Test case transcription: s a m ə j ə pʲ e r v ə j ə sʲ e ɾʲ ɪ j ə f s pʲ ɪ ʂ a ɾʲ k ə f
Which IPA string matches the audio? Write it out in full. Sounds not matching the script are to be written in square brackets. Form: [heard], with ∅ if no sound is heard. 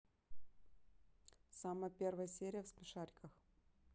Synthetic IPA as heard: s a m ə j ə pʲ e r v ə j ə sʲ e ɾʲ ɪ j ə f s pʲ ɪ ʂ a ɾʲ k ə [x]